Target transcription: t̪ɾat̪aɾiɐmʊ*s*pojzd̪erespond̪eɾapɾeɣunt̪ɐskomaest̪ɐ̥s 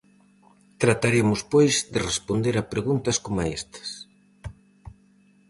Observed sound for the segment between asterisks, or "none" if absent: s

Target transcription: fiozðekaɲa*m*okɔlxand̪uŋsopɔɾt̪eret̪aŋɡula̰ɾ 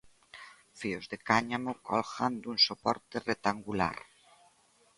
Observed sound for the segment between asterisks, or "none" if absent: m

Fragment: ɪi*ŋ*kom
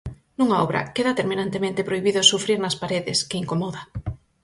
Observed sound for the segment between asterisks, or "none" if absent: ŋ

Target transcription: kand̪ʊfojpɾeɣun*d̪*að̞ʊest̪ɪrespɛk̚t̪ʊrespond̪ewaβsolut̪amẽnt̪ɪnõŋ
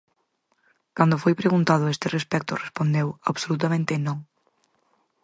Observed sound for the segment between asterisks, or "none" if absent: t̪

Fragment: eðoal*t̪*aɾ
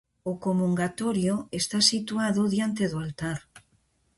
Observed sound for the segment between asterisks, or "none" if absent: t̪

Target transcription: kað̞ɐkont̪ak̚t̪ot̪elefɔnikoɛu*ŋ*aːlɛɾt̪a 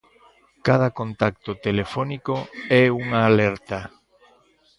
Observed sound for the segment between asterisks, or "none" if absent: ŋ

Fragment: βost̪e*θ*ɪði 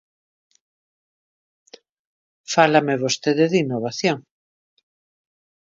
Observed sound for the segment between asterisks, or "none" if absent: ð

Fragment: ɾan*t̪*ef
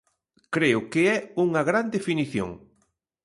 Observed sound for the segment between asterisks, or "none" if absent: d̪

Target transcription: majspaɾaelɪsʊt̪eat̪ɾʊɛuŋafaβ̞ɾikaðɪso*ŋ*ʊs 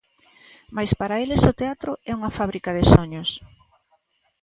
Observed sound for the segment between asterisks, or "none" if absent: ɲ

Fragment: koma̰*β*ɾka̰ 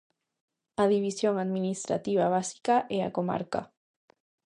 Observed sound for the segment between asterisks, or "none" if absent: none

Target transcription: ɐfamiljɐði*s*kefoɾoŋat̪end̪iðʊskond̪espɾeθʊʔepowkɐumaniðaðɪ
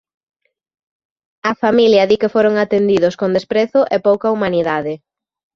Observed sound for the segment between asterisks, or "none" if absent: none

